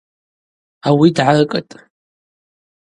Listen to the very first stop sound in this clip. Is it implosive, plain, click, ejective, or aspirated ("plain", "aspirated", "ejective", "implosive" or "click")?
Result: plain